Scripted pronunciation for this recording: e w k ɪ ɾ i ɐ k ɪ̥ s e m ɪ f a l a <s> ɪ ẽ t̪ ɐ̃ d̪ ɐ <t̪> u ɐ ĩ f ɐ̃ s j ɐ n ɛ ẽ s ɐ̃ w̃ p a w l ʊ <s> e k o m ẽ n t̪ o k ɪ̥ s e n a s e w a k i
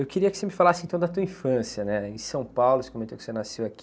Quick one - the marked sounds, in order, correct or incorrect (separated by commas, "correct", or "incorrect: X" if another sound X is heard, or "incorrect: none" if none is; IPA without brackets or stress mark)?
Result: correct, correct, correct